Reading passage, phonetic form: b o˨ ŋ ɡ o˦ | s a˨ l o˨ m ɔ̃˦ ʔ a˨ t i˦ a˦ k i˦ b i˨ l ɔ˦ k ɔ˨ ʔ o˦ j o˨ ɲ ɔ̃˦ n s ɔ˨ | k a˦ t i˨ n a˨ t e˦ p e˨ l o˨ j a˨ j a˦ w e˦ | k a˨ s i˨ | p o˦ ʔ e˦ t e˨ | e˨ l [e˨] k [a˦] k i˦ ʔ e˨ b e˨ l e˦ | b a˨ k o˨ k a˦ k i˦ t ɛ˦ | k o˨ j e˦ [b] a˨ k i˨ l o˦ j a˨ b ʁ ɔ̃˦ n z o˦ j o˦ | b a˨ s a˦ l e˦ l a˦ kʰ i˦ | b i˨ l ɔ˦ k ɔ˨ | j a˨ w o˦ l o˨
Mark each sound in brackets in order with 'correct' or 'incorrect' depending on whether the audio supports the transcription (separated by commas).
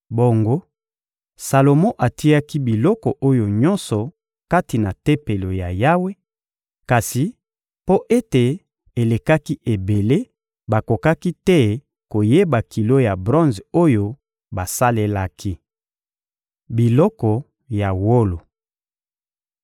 correct, correct, correct